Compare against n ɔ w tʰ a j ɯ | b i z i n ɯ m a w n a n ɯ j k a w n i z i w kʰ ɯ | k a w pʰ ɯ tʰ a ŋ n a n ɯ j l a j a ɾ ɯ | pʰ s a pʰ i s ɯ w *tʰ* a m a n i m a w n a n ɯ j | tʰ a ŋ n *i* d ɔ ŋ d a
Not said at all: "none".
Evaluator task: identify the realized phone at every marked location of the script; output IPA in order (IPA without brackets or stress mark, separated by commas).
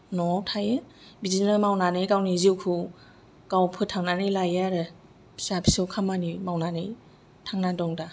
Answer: kʰ, a